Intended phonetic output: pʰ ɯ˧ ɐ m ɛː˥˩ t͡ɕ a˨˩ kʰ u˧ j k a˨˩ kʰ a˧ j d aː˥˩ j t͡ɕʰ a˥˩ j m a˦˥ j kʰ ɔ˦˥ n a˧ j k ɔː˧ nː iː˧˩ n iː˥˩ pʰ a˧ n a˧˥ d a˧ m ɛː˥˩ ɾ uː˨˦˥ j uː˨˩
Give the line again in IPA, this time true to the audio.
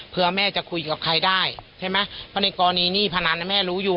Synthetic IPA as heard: pʰ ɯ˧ ɐ m ɛː˥˩ t͡ɕ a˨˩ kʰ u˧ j k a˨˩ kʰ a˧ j d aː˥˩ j t͡ɕʰ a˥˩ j m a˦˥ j pʰ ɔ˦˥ n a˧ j k ɔː˧ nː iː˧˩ n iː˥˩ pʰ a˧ n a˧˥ n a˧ m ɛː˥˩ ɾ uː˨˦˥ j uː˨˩